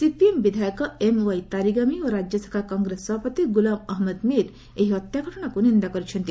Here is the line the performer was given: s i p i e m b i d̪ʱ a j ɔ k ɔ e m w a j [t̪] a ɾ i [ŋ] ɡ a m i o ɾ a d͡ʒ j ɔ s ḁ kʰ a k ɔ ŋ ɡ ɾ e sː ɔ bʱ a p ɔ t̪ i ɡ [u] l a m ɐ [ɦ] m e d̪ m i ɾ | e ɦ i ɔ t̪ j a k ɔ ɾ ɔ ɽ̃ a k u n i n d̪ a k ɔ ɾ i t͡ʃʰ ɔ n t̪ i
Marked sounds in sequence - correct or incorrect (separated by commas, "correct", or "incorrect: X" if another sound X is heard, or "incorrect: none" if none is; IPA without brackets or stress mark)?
correct, incorrect: none, correct, correct